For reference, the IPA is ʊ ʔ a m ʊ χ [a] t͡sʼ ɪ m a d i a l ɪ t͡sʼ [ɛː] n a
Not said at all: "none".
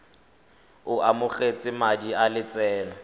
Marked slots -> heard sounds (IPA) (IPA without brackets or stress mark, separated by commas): e, ɛː